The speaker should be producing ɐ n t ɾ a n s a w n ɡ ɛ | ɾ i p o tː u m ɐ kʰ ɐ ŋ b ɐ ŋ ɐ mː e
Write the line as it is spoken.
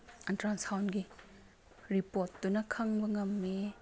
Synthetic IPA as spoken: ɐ n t ɾ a n s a w n ɡ i | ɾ i p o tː u n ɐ kʰ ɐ ŋ b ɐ ŋ ɐ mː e

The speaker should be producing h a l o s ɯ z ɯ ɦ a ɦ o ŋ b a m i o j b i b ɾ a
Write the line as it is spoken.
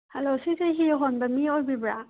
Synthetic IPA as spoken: h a l o s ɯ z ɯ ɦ i ɦ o n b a m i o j b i b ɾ a

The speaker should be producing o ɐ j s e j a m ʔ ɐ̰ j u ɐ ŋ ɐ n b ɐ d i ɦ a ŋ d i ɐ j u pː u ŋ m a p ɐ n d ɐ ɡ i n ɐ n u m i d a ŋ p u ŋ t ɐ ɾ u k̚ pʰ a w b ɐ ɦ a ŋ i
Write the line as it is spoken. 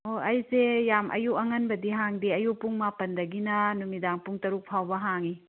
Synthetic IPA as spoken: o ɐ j s e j a m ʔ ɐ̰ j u ɐ ŋ ɐ n b ɐ d i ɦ a ŋ d i ɐ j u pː u ŋ m a p ɐ n d ɐ ɡ i n ɐ n u m i d a ŋ p u ŋ t ɐ ɾ u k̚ pʰ a w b ɐ ɦ a ŋ i

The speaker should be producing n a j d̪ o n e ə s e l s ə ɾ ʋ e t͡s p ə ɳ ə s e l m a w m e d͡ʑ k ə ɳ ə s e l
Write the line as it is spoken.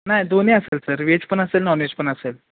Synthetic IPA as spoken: n a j d̪ o n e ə s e l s ə ɾ ʋ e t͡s p ə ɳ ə s e l n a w n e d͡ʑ p ə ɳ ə s e l

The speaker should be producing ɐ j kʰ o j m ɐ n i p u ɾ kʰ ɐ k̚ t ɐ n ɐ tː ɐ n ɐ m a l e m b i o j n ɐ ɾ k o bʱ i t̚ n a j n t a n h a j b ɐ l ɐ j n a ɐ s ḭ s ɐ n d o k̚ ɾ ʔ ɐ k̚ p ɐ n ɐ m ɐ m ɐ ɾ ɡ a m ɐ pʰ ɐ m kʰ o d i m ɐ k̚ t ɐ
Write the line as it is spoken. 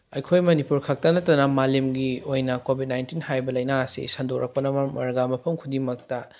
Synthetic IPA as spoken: ɐ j kʰ o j m ɐ n i p u ɾ kʰ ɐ k̚ t ɐ n ɐ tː ɐ n ɐ m a l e m ɡ i o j n ɐ k o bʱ i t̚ n a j n t i n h a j b ɐ l ɐ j n a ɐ s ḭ s ɐ n d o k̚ ɾ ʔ ɐ k̚ p ɐ n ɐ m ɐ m ɐ ɾ ɡ a m ɐ pʰ ɐ m kʰ u d i m ɐ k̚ t ɐ

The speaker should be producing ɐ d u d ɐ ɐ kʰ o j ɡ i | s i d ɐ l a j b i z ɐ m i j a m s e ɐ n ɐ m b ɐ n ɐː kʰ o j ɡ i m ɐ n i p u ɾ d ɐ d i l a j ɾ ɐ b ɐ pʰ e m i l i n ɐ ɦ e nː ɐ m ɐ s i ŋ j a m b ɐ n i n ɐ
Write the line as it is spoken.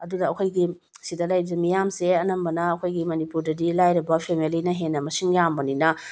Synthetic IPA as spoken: ɐ d u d ɐ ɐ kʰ o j ɡ i | s i d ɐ l a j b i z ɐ m i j a m s e ɐ n ɐ m b ɐ n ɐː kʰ o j ɡ i m ɐ n i p u ɾ d ɐ d i l a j ɾ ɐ b ɐ pʰ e m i l i n ɐ ɦ e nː ɐ m ɐ s i ŋ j a m b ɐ n i n ɐ

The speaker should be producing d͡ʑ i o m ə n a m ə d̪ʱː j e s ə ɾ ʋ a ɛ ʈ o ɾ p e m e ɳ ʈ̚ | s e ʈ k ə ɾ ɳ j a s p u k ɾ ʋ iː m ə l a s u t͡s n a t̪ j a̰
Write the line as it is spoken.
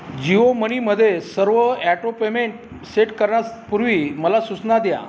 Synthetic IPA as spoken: d͡ʑ i o m ə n i m ə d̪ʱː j e s ə ɾ ʋ ə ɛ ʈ o p e m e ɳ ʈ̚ | s e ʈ k ə ɾ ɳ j a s p u ɾ ʋ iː m ə l a s u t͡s n a d̪ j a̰

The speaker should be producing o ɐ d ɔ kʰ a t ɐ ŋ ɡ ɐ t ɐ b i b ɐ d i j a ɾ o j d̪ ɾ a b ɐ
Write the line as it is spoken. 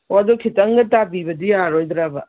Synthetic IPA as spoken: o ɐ d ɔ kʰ i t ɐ ŋ ɡ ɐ t a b i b ɐ d i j a ɾ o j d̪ ɾ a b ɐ

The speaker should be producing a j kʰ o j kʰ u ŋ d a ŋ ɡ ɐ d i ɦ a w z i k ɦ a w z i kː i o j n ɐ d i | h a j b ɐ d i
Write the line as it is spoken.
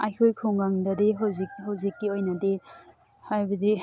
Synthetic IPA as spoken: a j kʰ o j kʰ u ŋ ɡ a ŋ d ɐ d i ɦ a w z i k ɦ a w z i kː i o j n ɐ d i | h a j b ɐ d i

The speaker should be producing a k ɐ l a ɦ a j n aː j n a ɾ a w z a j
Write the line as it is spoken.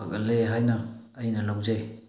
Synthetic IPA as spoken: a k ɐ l e ɦ a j n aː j n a l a w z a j

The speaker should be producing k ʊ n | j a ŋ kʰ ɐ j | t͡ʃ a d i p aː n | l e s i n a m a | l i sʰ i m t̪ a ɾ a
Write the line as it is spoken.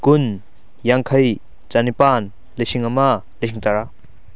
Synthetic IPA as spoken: k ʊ n | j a ŋ kʰ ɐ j | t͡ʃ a n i p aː n | l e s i ŋ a m a | l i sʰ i ŋ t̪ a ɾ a

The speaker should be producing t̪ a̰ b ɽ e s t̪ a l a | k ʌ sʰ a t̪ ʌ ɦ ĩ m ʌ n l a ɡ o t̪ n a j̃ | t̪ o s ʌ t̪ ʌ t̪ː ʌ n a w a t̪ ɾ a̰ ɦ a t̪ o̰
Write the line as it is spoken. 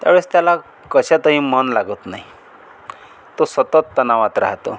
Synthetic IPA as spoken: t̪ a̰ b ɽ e s t̪ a l a | k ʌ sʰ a t̪ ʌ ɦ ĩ m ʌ n l a ɡ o t̪ n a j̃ | t̪ o s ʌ t̪ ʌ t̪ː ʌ n a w a t̪ ɾ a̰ ɦ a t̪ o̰

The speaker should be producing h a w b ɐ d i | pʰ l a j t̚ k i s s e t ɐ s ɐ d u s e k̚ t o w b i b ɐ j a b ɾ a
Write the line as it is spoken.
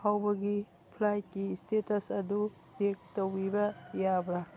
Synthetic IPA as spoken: h a w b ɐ ɡ i | pʰ l a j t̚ k i s t e t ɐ s ɐ d u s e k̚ t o w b i b ɐ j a b ɾ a

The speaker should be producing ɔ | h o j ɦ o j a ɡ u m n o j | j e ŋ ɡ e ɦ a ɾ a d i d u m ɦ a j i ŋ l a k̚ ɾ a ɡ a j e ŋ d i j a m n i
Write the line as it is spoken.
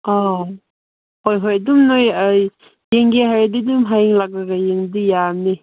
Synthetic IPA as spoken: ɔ | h o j ɦ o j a d u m n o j | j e ŋ ɡ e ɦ a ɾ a d i d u m ɦ a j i ŋ l a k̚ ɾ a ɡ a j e ŋ d i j a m n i

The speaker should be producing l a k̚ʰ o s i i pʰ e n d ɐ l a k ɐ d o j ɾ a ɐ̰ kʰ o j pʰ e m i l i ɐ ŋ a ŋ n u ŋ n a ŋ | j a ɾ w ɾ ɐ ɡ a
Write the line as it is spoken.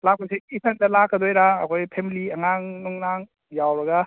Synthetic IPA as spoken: l a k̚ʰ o s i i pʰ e n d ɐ l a k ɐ d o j ɾ a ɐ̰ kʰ o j pʰ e m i l i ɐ ŋ a ŋ n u ŋ n a ŋ | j a w ɾ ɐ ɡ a

